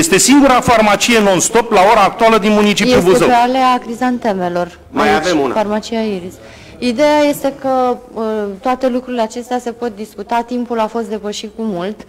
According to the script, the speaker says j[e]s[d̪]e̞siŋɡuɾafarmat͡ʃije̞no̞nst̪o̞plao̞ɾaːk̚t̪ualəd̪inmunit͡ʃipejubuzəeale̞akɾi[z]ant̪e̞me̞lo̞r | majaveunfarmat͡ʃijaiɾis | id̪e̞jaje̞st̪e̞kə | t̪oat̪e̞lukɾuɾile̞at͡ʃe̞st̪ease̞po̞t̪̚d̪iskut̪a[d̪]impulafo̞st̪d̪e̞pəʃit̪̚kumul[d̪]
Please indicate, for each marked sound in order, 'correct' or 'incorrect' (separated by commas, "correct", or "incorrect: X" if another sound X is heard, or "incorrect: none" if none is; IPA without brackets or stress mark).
correct, incorrect: t̪, correct, incorrect: t̪, incorrect: t̪